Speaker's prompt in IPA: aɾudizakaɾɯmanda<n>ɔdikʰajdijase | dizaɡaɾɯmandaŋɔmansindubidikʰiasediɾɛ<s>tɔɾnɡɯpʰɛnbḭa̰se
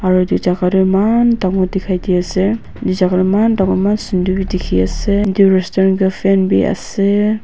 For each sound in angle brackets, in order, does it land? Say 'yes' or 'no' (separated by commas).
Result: no, yes